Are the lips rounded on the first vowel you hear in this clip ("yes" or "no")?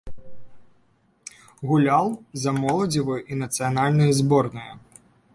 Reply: yes